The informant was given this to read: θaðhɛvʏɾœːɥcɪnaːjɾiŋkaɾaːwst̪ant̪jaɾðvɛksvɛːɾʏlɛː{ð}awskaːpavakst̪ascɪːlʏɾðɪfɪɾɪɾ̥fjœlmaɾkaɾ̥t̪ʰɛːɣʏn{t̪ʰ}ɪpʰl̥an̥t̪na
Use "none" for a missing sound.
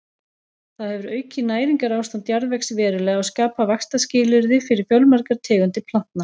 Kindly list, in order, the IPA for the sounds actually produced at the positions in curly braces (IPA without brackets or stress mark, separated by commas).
ɣ, t̪